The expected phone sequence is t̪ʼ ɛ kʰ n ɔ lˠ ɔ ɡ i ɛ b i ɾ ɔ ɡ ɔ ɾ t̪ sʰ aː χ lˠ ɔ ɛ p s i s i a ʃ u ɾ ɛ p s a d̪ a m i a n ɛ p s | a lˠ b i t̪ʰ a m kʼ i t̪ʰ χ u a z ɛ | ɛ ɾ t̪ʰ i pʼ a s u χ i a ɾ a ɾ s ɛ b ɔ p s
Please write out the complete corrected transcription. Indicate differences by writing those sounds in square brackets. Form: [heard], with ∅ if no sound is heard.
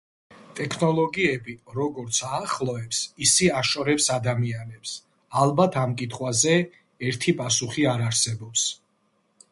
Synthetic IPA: t̪ʼ ɛ kʰ n ɔ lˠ ɔ ɡ i ɛ b i ɾ ɔ ɡ ɔ ɾ t̪ sʰ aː χ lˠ ɔ ɛ p s i s i a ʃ [ɔ] ɾ ɛ p s a d̪ a m i a n ɛ p s | a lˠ b [a] t̪ʰ a m kʼ i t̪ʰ χ [w] a z ɛ | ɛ ɾ t̪ʰ i pʼ a s u χ i a ɾ a ɾ s ɛ b ɔ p s